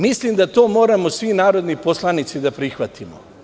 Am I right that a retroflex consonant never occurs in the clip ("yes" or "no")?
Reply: yes